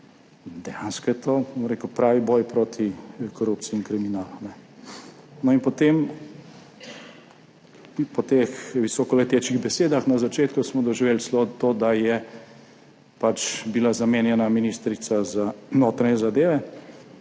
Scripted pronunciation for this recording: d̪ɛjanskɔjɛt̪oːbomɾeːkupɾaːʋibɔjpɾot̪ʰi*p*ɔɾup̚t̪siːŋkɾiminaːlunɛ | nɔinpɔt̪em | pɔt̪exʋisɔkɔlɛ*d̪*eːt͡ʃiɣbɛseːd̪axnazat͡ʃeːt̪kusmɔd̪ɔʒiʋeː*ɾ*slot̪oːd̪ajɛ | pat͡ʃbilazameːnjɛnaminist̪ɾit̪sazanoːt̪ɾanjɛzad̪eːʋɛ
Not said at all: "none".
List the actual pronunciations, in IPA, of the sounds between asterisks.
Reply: k, t̪, l

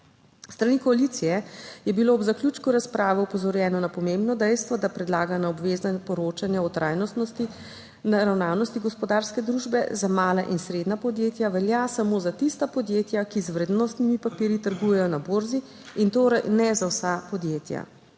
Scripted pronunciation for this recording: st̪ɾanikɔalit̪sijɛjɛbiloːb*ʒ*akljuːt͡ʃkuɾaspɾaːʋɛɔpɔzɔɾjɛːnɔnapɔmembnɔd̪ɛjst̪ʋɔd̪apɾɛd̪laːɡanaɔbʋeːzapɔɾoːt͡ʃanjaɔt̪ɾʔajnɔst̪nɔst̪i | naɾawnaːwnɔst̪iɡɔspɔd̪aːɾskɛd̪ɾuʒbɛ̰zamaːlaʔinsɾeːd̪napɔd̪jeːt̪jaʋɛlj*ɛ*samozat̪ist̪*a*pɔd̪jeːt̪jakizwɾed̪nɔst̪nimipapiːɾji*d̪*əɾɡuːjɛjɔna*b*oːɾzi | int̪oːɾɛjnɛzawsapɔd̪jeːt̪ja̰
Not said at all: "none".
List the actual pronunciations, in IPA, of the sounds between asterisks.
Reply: z, a, a, t̪, b

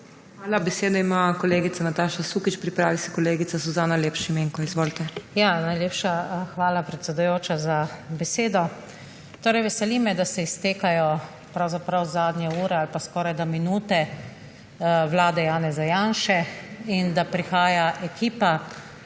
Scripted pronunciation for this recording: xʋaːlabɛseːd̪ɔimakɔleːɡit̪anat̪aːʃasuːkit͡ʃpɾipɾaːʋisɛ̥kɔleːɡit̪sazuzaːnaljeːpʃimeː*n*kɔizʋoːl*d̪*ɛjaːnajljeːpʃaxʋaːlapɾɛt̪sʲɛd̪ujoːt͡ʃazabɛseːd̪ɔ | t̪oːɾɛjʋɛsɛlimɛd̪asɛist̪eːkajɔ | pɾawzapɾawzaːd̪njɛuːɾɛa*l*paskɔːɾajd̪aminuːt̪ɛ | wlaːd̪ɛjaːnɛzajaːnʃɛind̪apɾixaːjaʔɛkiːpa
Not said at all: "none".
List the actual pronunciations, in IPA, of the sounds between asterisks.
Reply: ŋ, t̪, l

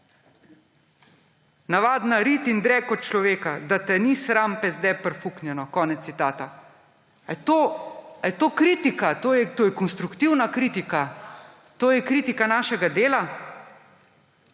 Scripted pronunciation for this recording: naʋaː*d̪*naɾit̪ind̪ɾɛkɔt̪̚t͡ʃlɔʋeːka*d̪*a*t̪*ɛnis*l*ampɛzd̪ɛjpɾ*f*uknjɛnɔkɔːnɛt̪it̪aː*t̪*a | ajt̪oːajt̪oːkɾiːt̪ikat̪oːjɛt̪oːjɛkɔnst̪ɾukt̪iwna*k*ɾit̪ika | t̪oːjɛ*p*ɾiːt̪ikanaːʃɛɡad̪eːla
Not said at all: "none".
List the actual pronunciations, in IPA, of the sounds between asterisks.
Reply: d̪, d̪, t̪, ɾ, f, t̪, k, k

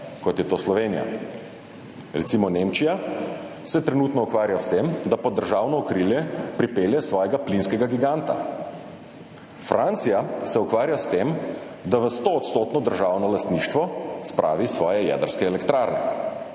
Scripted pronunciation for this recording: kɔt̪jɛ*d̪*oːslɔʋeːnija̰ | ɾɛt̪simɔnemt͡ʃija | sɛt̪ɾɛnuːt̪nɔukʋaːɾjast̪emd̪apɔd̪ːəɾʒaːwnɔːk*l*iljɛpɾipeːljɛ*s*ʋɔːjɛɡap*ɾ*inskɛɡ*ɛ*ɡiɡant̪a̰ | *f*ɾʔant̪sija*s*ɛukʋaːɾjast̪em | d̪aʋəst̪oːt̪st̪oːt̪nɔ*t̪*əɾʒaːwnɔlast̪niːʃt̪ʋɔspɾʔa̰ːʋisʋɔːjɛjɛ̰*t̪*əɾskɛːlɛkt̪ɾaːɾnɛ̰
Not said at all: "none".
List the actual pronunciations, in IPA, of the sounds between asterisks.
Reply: t̪, ɾ, s, l, a, f, s, d̪, d̪

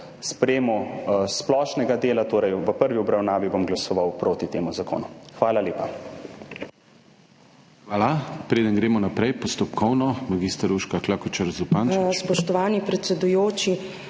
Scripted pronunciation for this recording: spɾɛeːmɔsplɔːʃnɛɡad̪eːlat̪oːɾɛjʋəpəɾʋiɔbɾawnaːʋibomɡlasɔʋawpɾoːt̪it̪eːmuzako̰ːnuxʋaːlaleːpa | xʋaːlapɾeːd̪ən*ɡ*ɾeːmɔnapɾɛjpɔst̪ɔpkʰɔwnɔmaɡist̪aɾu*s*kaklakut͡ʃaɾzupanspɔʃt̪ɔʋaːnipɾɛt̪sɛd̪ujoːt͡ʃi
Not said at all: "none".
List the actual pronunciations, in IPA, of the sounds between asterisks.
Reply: ɡ, ʃ

